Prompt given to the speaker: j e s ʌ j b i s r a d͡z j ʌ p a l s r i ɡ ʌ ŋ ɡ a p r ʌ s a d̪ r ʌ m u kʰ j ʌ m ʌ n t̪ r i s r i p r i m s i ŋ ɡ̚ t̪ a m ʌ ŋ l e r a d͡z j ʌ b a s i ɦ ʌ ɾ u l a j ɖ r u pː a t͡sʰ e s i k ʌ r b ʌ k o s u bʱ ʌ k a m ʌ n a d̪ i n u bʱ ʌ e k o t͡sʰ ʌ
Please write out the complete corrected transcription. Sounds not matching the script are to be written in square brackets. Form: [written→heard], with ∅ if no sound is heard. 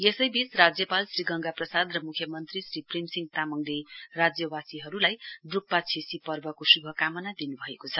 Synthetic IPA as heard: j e s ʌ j b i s r a d͡z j ʌ p a l s r i ɡ ʌ ŋ ɡ a p r ʌ s a d̪ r ʌ m u kʰ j ʌ m ʌ n t̪ r i s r i p r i m s i ŋ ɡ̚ t̪ a m ʌ ŋ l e r a d͡z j ʌ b a s i ɦ ʌ ɾ u l a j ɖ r u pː a t͡sʰ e s i [k→p] ʌ r b ʌ k o s u bʱ ʌ k a m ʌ n a d̪ i n u bʱ ʌ e k o t͡sʰ ʌ